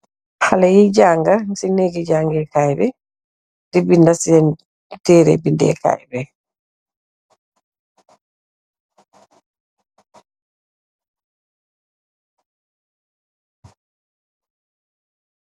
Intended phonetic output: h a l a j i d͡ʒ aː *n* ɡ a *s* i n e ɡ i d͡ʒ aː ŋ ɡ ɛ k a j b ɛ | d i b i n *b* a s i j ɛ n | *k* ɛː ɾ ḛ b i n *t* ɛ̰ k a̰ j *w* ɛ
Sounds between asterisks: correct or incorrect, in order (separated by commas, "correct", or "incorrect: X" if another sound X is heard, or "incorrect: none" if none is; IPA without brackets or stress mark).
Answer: incorrect: ŋ, correct, incorrect: d, incorrect: t, incorrect: d, incorrect: b